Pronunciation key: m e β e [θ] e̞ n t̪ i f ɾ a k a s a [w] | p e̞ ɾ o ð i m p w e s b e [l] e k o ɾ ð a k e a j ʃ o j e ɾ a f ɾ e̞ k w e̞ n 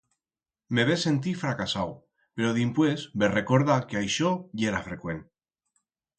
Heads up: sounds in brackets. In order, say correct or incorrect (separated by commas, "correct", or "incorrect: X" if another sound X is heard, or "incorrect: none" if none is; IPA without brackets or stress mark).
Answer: incorrect: s, correct, incorrect: r